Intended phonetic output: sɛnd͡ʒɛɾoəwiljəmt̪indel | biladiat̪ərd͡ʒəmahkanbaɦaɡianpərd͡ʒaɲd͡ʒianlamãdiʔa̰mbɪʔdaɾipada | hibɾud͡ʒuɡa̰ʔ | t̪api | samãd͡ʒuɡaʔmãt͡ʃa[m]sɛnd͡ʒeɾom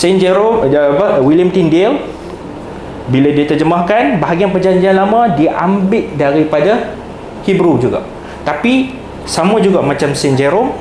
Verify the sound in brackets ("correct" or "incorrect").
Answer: correct